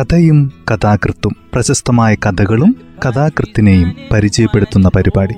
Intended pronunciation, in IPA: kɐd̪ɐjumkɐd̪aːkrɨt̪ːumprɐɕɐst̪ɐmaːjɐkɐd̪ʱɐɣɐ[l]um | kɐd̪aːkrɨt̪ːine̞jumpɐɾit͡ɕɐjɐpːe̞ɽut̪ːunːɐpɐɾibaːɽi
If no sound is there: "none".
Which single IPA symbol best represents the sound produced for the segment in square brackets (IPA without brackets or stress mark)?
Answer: ɭ